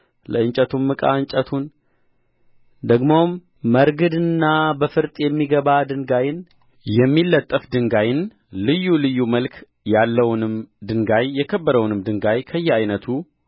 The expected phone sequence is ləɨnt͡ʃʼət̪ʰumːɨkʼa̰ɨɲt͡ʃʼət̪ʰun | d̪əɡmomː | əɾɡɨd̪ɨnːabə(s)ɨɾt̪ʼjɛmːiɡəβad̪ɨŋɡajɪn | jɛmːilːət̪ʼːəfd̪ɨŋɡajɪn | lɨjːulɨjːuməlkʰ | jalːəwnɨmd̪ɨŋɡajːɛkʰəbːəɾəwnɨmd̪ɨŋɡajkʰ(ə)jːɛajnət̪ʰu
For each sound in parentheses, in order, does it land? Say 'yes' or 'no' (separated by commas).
no, yes